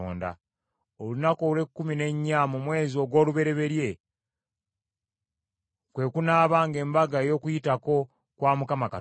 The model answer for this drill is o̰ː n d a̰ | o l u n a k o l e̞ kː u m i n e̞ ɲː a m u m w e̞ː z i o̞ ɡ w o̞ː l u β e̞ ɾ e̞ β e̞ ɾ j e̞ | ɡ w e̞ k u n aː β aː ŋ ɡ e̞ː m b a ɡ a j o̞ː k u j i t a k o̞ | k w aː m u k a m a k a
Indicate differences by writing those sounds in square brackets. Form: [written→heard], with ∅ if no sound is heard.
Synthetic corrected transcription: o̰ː n d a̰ | o l u n a k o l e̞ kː u m i n e̞ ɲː a m u m w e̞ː z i o̞ ɡ w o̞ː l u β e̞ ɾ e̞ β e̞ ɾ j e̞ | [ɡ→k] w e̞ k u n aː β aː ŋ ɡ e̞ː m b a ɡ a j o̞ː k u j i t a k o̞ | k w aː m u k a m a k a

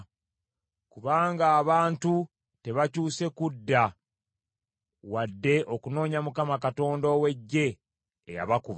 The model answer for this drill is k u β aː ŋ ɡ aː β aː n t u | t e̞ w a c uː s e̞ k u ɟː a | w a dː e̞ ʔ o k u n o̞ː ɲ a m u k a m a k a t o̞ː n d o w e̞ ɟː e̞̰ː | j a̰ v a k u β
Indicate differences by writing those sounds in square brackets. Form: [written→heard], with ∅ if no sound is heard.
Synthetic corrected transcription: k u β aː ŋ ɡ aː β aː n t u | t e̞ [w→β] a c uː s e̞ k u [ɟː→dː] a | w a dː e̞ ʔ o k u n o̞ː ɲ a m u k a m a k a t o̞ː n d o w e̞ ɟː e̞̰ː | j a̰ [v→β] a k u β

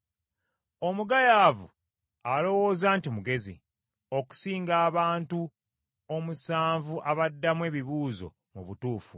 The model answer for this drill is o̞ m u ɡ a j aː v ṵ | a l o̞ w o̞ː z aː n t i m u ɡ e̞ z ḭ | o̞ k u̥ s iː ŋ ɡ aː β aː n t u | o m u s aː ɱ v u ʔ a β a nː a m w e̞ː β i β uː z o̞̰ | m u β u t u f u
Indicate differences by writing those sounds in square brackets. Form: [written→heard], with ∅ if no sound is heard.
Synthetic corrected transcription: o̞ m u ɡ a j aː v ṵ | a l o̞ w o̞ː z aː n t i m u ɡ e̞ z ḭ | o̞ k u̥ s iː ŋ ɡ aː β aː n t u | o m u s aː ɱ v u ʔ a β a [nː→dː] a m w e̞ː β i β uː z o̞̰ | m u β u t [u→uː] f u

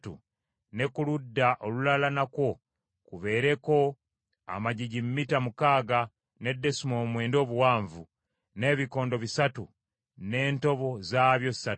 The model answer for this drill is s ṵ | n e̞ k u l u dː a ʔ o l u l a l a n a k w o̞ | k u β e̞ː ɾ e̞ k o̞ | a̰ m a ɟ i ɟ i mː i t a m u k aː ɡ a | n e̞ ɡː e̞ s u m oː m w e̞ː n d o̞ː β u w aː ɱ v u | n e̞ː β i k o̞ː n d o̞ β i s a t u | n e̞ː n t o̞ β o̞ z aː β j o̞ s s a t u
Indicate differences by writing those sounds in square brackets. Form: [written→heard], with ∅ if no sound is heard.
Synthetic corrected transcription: [s→t] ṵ | n e̞ k u l u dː a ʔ o l u l a l a n a k w o̞ | k u β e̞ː ɾ e̞ k o̞ | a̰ m a ɟ i ɟ i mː i t a m u k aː ɡ a | n e̞ [ɡː→dː] e̞ s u m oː m w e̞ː n d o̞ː β u w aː ɱ v u | n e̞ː β i k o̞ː n d o̞ β i s a t u | n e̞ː n t o̞ β o̞ z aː β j o̞ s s a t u

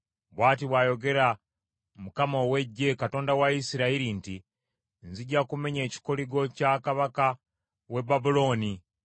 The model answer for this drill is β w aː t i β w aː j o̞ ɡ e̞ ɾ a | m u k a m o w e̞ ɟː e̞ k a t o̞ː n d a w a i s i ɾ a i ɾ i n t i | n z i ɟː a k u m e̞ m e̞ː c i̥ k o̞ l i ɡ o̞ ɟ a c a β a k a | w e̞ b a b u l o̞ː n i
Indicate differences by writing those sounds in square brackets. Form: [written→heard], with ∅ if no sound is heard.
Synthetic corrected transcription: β w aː t i β w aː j o̞ ɡ e̞ ɾ a | m u k a m o w e̞ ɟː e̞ k a t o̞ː n d a w a i s i ɾ a i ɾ i n t i | n z i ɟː a k u m e̞ [m→ɲ] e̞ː c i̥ k o̞ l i ɡ o̞ [ɟ→c] a [c→k] a β a k a | w e̞ b a b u l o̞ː n i

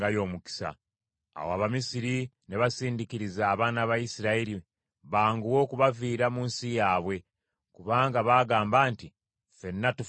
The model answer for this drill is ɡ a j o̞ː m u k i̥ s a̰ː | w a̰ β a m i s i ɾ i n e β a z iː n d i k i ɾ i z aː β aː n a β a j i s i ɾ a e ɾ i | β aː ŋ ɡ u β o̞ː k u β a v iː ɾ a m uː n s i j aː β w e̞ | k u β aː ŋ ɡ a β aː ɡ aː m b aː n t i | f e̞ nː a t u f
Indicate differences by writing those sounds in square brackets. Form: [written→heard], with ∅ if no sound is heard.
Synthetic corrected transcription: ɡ a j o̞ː m u k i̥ s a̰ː | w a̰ β a m i s i ɾ i n e β a [z→s] iː n d i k i ɾ i z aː β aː n a β a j i s i ɾ a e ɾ i | β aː ŋ ɡ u [β→w] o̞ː k u β a v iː ɾ a m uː n s i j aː β w e̞ | k u β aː ŋ ɡ a β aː ɡ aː m b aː n t i | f e̞ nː a t u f

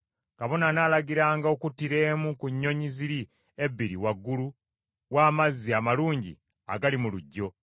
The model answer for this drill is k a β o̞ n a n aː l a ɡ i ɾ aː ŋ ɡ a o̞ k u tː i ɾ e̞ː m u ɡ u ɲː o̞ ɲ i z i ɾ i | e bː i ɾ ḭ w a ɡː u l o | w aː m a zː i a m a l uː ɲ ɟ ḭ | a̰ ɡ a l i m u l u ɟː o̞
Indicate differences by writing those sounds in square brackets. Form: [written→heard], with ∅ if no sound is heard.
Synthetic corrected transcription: k a β o̞ n a n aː l a ɡ i ɾ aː ŋ ɡ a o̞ k u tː i ɾ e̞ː m u [ɡ→k] u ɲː o̞ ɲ i z i ɾ i | e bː i ɾ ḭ w a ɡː u l [o→u] | w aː m a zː i a m a l uː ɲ ɟ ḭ | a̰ ɡ a l i m u l u ɟː o̞

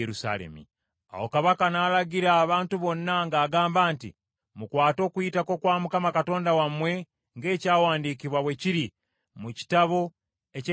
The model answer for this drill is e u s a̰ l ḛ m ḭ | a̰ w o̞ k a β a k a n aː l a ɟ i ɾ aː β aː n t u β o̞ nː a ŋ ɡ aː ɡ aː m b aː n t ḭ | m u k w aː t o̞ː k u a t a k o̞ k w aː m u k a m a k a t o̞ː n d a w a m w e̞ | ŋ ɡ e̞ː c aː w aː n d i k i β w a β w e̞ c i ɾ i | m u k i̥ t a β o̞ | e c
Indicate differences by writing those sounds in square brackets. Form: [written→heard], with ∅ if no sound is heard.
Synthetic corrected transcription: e u s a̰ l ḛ m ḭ | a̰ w o̞ k a β a k a n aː l a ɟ i ɾ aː β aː n t u β o̞ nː a ŋ ɡ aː ɡ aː m b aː n t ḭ | m u k w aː t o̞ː k u [a→i] t a k o̞ k w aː m u k a m a k a t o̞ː n d a w a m w e̞ | ŋ ɡ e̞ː c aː w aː n d i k i β w a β w e̞ c i ɾ i | m u [k→c] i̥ t a β o̞ | e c

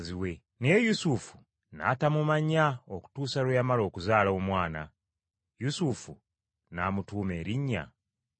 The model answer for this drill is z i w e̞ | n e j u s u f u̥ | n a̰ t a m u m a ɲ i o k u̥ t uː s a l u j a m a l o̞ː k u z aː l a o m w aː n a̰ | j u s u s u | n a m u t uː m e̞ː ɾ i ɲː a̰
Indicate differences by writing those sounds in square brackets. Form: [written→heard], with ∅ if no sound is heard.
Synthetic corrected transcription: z i w e̞ | n e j u s u f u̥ | n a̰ t a m u m a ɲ [i→a] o k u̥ t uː s a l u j a m a l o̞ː k u z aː l a o m w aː n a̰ | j u s u [s→f] u | n a m u t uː m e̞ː ɾ i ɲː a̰

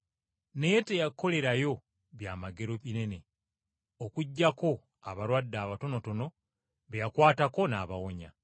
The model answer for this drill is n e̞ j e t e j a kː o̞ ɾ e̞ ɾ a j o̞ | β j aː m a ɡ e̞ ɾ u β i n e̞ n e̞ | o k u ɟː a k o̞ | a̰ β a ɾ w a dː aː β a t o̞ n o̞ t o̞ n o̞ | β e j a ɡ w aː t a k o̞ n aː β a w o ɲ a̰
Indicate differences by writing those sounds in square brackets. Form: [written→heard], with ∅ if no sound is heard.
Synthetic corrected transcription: n e̞ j e t e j a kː o̞ [ɾ→l] e̞ ɾ a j o̞ | β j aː m a ɡ e̞ ɾ [u→o] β i n e̞ n e̞ | o k u ɟː a k o̞ | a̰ β a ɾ w a dː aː β a t o̞ n o̞ t o̞ n o̞ | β e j a [ɡ→k] w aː t a k o̞ n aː β a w o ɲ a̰

